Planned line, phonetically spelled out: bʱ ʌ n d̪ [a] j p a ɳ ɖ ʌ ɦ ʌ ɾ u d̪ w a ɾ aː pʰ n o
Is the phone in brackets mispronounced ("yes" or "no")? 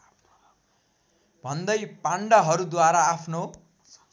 yes